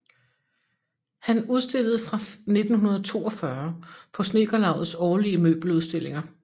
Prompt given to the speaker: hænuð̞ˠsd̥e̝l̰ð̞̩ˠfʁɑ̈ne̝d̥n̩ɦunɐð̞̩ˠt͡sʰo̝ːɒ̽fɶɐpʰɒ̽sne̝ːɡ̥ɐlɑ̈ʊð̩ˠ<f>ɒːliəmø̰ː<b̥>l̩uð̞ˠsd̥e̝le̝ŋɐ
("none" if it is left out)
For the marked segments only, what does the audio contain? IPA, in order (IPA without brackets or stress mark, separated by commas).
s, b̥